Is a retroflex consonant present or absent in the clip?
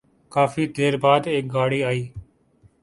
present